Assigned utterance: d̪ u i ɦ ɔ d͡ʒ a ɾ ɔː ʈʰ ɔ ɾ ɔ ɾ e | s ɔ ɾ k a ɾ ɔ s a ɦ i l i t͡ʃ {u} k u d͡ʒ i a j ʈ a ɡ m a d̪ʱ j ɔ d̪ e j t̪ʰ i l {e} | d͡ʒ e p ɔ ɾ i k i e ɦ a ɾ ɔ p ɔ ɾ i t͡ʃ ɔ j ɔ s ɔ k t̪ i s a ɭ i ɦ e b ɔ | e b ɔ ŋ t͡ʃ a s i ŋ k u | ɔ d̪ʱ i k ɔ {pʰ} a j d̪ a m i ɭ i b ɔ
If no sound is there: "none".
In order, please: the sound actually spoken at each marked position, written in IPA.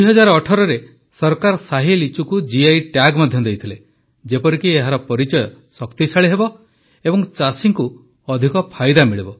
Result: u, e, pʰ

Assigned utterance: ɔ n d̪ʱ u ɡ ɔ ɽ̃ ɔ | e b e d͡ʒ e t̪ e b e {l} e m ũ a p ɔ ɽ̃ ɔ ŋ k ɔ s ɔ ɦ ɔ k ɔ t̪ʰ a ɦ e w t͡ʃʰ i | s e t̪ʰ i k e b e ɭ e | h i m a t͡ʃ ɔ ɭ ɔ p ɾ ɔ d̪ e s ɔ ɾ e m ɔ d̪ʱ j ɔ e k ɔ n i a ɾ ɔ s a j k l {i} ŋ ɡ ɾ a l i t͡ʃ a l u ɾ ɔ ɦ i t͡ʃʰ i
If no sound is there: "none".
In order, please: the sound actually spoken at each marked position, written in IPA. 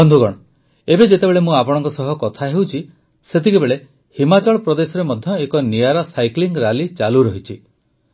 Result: ɭ, i

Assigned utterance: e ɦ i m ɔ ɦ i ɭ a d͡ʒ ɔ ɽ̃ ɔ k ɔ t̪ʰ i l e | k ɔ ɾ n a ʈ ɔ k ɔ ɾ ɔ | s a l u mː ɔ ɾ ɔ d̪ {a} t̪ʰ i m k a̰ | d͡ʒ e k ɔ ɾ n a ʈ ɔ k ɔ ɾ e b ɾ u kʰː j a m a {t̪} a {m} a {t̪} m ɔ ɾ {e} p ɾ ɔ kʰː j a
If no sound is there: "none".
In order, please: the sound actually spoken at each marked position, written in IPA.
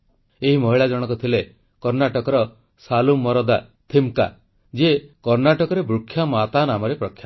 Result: a, t̪, n, none, e

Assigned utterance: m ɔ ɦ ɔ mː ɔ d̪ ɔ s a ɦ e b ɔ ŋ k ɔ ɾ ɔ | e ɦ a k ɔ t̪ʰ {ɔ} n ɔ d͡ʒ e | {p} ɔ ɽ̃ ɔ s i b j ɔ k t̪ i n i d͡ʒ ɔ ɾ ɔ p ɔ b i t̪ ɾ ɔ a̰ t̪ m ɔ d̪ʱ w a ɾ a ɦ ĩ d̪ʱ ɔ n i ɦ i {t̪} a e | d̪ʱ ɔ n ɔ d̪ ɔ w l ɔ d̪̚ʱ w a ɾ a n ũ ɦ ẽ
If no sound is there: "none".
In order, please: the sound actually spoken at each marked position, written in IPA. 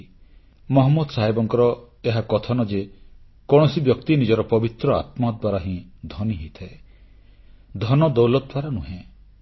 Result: ɔ, k, t̪ʰ

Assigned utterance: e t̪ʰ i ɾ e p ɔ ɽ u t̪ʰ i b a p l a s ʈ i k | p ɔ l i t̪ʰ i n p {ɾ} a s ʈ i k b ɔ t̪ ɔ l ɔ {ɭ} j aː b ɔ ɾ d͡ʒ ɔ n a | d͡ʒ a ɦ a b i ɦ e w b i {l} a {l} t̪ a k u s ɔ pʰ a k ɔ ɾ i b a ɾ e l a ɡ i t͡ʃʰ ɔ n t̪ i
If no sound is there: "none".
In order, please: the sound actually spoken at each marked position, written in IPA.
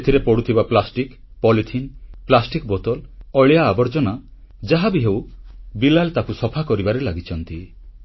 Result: l, ɭ, l, l

